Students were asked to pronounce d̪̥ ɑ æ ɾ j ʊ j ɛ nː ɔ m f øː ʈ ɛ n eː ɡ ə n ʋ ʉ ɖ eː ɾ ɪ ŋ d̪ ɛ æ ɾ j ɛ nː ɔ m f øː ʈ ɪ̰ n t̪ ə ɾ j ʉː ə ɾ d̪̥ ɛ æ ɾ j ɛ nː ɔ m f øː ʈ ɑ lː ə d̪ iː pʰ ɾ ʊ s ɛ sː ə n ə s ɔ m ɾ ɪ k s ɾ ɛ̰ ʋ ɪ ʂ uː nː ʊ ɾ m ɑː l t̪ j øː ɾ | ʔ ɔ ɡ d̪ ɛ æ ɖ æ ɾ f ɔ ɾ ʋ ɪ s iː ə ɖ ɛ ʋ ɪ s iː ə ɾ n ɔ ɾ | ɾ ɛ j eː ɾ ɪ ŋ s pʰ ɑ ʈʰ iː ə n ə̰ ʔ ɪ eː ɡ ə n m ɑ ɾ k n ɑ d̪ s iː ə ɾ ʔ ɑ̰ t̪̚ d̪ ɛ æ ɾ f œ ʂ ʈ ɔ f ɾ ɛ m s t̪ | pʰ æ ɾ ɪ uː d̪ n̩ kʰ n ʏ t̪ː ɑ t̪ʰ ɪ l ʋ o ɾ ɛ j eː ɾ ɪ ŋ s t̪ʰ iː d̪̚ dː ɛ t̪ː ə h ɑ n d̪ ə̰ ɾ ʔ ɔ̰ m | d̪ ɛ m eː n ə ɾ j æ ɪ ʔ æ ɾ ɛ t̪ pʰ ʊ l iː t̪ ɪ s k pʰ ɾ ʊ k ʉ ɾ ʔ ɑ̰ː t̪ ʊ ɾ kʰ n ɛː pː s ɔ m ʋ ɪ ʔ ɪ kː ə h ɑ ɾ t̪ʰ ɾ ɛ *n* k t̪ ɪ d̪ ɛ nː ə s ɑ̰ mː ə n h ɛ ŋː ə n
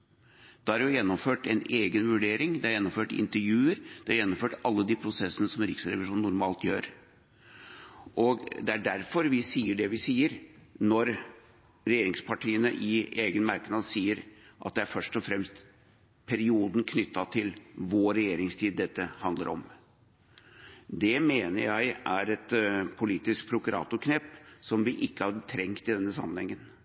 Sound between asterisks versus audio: incorrect: ŋ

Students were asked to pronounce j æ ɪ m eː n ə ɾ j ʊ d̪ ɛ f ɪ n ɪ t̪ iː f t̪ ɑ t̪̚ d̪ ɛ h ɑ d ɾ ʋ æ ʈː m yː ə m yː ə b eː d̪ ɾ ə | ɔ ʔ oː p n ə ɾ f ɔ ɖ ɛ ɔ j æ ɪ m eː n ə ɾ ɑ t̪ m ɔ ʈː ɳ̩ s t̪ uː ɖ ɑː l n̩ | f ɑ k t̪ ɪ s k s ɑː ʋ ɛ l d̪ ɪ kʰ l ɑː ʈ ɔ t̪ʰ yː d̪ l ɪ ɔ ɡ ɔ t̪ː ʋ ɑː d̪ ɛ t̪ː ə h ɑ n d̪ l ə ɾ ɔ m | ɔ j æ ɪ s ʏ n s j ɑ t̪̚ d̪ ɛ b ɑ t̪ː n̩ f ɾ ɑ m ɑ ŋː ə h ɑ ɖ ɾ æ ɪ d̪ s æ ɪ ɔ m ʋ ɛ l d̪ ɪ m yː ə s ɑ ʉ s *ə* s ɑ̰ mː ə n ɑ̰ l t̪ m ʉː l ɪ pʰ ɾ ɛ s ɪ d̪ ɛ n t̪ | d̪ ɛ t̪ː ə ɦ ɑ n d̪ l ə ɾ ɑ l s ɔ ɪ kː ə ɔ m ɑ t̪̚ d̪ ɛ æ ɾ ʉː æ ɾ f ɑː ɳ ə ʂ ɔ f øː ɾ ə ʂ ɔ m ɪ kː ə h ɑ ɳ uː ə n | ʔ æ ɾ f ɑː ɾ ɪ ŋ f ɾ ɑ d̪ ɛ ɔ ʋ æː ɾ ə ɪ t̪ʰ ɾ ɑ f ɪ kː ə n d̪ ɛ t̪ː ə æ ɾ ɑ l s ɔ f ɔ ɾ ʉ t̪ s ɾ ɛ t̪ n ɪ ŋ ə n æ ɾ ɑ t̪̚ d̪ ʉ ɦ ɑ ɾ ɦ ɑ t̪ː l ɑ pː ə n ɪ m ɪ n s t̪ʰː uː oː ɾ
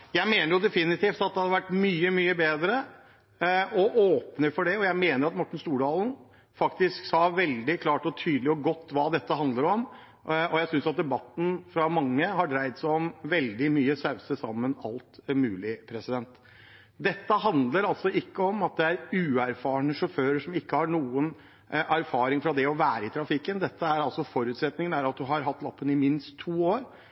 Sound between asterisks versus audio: correct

